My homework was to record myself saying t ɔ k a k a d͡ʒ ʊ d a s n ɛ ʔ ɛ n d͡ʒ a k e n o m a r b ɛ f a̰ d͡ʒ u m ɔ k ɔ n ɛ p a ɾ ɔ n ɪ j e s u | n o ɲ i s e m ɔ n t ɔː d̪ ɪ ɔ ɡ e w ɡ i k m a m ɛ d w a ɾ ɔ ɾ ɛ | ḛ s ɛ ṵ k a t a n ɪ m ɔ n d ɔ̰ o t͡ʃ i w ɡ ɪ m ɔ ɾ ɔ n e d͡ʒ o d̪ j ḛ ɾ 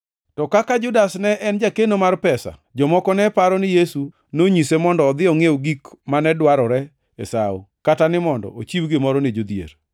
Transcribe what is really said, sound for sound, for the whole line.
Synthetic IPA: t ɔ k a k a d͡ʒ ʊ d a s n ɛ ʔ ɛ n d͡ʒ a k e n o m a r p ɛ s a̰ d͡ʒ ɔ m ɔ k ɔ n ɛ p a ɾ ɔ n ɪ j e s u | n o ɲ i s e m ɔ n d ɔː d̪ ɪ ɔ ŋ e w ɡ i k m a n ɛ d w a ɾ ɔ ɾ ɛ | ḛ s a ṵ k a t a n ɪ m ɔ n d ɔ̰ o t͡ʃ i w ɡ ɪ m ɔ ɾ ɔ n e d͡ʒ o d̪ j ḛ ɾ